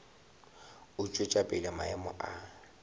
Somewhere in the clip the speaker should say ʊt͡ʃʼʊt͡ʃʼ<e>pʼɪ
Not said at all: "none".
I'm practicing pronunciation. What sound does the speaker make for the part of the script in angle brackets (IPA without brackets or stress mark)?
a